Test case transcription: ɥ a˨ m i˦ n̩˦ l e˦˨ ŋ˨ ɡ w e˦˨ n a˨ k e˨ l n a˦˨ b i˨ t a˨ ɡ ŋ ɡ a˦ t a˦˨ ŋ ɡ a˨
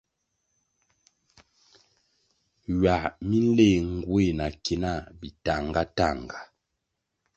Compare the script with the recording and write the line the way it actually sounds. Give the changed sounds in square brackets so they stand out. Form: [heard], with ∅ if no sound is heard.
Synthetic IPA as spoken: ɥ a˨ m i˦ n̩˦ l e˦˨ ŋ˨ ɡ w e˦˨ n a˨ k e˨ [∅] n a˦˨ b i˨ t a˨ [∅] ŋ ɡ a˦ t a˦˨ ŋ ɡ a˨